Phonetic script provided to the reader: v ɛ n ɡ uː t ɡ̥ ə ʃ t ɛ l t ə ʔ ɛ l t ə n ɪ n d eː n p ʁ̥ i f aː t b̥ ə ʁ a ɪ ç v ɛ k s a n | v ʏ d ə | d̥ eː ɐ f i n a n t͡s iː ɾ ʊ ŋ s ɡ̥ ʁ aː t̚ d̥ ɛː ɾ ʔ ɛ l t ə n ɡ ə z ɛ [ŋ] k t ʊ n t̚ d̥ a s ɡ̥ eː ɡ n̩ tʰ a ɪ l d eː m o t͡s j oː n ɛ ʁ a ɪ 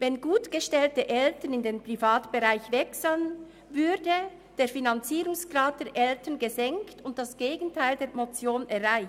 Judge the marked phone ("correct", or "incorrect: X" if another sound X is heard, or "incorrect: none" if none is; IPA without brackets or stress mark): correct